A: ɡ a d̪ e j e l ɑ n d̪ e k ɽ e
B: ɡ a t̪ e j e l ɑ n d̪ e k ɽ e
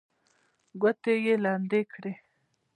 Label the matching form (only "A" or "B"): B